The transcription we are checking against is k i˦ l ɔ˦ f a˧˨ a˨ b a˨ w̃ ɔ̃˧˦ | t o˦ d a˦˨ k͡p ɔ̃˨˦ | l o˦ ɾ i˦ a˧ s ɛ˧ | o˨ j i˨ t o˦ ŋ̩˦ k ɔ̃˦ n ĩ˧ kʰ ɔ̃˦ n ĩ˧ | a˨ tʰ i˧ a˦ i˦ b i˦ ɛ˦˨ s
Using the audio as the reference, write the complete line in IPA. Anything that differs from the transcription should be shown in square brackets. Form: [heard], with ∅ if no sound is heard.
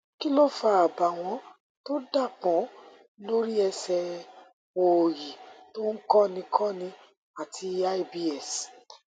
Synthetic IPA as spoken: k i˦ l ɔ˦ f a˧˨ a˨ b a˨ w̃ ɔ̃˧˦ | t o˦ d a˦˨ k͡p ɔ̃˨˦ | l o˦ ɾ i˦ [ɛ˧] s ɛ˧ | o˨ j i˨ t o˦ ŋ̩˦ k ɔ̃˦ n ĩ˧ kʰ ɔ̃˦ n ĩ˧ | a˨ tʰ i˧ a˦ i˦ b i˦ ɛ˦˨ s

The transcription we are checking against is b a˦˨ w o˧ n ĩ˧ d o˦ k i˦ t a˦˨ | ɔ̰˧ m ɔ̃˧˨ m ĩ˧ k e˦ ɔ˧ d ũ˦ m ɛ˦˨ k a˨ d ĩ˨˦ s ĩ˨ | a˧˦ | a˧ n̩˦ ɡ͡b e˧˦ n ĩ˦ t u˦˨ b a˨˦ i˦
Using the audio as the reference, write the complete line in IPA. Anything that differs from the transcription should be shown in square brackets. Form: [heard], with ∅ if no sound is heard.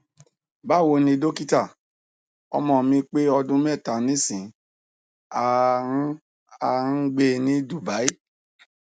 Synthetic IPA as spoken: b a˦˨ w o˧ n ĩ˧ d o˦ k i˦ t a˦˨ | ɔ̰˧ m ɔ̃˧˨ m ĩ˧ [k͡p] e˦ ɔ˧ d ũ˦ m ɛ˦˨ [t] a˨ [n] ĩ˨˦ s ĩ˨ | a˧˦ | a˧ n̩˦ ɡ͡b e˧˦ n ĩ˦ [d] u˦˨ b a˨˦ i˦

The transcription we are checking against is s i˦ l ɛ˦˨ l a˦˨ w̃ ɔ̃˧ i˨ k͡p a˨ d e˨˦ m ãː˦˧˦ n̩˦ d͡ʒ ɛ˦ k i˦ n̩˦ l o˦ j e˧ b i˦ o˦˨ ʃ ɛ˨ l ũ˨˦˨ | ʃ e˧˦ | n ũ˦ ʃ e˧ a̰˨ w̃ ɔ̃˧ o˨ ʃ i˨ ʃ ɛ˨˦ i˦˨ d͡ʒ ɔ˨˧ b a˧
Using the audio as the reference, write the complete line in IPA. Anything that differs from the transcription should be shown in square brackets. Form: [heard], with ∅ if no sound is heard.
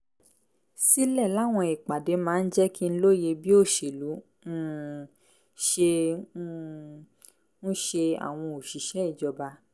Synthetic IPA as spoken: s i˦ l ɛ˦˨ l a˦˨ w̃ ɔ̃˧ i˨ k͡p a˨ d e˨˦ m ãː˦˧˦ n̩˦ d͡ʒ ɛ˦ k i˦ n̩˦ l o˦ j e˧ b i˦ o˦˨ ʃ [e˨] l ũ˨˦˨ | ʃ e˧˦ | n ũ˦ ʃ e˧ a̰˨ w̃ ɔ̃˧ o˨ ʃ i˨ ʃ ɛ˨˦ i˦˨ d͡ʒ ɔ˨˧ b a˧

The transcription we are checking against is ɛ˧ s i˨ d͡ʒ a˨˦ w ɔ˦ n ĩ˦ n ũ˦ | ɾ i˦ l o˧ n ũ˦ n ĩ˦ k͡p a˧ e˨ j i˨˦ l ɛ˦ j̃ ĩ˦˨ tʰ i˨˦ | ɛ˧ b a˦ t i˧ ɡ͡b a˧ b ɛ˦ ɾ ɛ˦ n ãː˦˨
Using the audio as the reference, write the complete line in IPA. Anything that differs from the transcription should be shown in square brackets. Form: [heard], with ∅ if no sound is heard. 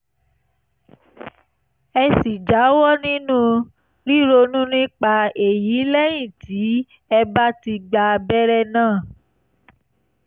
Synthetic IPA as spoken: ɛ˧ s i˨ d͡ʒ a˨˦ w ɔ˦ n ĩ˦ n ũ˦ | ɾ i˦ [ɾ] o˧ n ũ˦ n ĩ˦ k͡p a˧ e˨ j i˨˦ l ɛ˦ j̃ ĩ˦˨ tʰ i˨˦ | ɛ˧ b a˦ t i˧ ɡ͡b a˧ b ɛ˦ ɾ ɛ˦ n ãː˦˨

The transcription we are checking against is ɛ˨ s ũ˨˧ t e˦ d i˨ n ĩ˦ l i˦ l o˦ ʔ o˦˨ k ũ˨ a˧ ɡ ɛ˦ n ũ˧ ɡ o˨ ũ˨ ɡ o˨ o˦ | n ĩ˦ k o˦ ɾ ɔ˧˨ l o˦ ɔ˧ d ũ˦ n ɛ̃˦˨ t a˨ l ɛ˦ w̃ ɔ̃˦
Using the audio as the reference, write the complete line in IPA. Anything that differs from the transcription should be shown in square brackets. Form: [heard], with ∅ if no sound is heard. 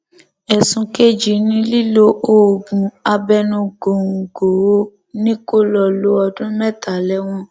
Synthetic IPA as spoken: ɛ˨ s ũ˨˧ [k] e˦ [d͡ʒ] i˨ n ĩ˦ l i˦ l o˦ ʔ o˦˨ [ɡ] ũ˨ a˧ [b] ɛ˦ n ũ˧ ɡ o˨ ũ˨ ɡ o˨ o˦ | n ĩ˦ k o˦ [l] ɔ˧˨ l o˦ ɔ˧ d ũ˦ [m] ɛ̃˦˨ t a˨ l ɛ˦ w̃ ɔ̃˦

